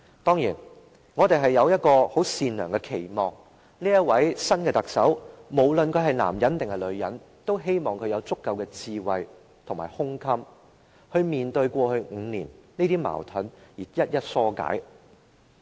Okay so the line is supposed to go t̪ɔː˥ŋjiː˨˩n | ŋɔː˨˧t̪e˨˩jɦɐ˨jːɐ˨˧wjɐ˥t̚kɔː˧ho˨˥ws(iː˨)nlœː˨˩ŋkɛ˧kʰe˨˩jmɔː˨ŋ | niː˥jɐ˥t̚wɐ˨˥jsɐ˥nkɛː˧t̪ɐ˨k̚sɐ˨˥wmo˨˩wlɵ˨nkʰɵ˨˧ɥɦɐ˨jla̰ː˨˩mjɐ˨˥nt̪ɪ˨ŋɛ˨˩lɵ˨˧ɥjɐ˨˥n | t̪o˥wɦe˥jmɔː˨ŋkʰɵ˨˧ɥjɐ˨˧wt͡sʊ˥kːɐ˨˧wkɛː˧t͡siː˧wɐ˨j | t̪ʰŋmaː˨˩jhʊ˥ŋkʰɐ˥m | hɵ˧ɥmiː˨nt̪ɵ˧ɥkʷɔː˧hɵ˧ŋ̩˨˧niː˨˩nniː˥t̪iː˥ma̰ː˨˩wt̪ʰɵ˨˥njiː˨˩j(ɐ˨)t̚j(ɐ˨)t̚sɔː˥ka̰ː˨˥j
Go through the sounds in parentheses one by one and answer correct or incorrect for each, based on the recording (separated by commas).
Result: correct, incorrect, incorrect